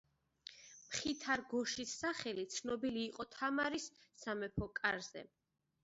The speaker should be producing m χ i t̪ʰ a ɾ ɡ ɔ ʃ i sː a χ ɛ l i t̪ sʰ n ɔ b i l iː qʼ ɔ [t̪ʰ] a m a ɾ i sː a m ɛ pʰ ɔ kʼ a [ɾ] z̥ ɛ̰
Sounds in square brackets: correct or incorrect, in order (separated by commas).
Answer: correct, correct